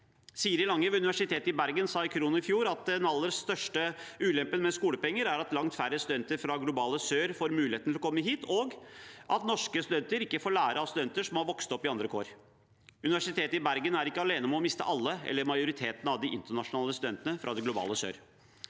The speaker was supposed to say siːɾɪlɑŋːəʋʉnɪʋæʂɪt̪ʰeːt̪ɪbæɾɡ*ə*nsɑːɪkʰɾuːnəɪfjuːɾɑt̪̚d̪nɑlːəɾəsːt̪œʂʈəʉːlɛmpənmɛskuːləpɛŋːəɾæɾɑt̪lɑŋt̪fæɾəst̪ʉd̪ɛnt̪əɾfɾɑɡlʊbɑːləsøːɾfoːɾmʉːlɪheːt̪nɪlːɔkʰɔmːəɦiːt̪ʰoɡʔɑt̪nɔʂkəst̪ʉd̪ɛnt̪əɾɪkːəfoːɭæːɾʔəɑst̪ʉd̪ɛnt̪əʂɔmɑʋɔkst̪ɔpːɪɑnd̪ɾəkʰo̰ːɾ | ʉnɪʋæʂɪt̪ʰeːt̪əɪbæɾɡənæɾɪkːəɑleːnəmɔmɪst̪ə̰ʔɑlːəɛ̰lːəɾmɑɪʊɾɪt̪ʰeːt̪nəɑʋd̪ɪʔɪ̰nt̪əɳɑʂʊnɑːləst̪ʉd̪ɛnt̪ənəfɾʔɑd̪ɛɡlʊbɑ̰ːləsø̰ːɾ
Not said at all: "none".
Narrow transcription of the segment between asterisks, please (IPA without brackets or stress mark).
ə